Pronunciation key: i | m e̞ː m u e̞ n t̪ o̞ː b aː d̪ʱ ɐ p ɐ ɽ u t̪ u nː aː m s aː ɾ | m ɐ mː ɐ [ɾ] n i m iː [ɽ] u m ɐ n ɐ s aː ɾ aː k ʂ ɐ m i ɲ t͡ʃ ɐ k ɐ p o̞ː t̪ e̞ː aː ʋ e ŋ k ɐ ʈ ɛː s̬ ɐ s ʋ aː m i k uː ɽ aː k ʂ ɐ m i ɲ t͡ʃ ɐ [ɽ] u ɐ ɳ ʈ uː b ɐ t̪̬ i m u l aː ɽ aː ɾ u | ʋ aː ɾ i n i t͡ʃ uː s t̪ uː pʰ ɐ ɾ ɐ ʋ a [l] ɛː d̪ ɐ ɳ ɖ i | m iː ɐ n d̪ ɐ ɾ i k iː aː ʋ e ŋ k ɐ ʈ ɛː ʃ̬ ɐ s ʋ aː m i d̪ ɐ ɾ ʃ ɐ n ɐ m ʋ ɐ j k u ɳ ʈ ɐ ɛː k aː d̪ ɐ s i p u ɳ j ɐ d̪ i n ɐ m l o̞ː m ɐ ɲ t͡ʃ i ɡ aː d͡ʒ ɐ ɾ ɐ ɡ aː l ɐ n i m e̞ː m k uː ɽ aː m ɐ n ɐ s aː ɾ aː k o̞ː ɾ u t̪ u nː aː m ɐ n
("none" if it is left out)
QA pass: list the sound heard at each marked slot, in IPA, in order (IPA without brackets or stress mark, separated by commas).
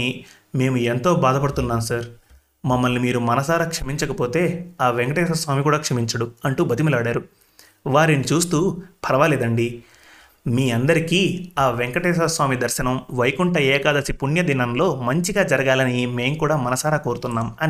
l, ɾ, ɽ, l